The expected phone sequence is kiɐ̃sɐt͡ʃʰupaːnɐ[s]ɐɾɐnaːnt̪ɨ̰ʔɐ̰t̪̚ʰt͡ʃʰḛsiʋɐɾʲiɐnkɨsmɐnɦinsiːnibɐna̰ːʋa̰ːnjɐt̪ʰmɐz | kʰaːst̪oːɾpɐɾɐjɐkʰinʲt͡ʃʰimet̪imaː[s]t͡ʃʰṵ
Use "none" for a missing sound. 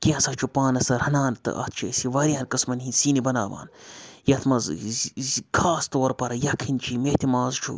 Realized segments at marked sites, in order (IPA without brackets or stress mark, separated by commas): s, z